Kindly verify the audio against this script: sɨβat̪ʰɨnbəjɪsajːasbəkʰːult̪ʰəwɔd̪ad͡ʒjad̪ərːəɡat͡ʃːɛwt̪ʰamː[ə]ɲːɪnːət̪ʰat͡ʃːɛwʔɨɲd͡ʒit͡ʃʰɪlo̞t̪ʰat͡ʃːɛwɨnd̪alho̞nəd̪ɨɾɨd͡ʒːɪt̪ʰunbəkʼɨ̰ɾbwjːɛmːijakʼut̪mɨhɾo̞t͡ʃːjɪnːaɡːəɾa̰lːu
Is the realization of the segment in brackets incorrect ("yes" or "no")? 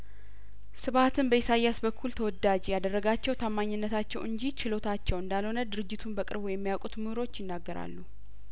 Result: yes